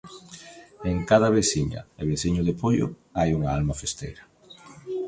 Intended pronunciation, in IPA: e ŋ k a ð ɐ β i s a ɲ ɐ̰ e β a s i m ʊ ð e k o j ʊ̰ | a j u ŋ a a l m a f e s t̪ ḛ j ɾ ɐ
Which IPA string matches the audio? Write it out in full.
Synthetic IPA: e ŋ k a ð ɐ β e s i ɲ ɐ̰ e β e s i ɲ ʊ ð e p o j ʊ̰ | a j u ŋ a a l m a f e s t̪ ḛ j ɾ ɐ